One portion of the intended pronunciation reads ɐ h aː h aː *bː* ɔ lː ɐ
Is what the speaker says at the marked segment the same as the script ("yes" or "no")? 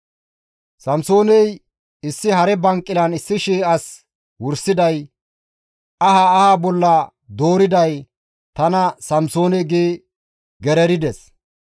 no